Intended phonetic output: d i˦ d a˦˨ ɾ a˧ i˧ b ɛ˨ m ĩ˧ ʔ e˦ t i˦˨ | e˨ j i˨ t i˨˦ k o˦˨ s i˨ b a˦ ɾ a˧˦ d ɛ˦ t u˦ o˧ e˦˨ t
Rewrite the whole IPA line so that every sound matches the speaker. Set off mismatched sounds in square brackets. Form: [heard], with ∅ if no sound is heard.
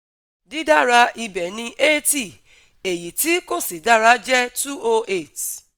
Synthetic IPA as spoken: d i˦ d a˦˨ ɾ a˧ i˧ b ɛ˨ [n] ĩ˧ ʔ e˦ t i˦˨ | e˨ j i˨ t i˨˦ k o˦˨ s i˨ [d] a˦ ɾ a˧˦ [d͡ʒ] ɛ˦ t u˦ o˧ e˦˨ t